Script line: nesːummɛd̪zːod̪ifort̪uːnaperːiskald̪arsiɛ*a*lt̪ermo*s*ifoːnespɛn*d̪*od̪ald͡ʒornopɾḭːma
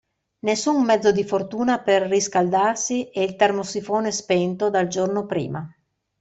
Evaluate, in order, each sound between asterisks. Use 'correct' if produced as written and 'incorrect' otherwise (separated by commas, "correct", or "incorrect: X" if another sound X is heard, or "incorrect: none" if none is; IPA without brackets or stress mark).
incorrect: i, correct, incorrect: t̪